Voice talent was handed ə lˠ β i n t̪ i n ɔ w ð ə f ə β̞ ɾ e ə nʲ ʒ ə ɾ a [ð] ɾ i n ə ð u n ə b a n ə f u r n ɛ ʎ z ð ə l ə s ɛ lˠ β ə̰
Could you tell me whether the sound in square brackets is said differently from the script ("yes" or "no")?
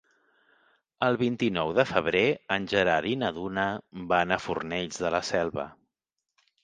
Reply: yes